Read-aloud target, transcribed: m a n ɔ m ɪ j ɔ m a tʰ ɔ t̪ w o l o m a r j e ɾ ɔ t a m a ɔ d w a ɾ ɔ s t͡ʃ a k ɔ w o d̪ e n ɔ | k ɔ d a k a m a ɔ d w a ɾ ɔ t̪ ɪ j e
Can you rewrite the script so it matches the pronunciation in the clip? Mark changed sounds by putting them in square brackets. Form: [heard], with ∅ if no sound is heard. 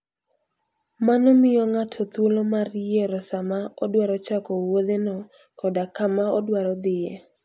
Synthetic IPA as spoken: m a n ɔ m ɪ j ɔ [ŋ] a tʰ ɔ t̪ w o l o m a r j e ɾ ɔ [s] a m a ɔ d w a ɾ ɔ [∅] t͡ʃ a k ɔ w o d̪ e n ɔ | k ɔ d a k a m a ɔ d w a ɾ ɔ [d̪] ɪ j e